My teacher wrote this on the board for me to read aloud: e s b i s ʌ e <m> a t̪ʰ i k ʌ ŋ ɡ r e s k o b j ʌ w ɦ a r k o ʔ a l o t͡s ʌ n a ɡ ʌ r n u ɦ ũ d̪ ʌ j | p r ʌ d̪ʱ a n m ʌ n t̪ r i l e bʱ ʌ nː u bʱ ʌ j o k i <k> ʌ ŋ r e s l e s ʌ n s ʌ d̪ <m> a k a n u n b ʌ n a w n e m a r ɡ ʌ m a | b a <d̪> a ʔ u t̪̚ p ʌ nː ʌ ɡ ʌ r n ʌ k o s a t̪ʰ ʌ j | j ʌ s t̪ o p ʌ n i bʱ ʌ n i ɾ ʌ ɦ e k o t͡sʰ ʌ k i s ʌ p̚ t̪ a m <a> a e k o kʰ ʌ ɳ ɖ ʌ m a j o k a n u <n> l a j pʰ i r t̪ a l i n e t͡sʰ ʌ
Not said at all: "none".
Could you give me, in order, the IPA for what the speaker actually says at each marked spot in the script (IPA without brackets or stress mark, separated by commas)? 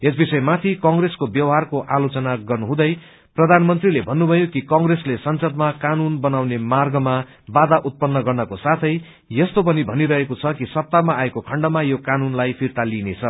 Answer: m, k, m, d̪, a, n